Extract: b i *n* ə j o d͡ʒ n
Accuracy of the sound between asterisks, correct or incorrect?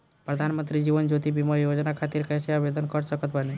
incorrect